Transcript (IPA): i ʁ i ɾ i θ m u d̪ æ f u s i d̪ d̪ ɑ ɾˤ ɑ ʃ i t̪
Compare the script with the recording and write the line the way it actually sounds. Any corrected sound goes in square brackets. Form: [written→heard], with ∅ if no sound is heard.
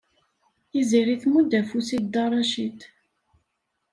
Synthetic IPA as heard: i [ʁ→z] i ɾ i θ m u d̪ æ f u s i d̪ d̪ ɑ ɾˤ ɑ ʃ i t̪